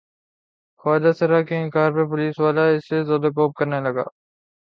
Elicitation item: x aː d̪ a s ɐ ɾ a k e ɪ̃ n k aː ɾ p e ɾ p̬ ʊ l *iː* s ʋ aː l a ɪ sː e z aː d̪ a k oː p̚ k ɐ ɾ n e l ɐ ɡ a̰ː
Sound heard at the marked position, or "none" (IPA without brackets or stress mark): iː